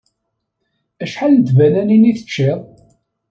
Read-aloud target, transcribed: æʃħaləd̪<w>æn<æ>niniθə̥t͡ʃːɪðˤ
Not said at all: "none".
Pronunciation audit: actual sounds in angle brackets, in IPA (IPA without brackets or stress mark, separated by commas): v, æ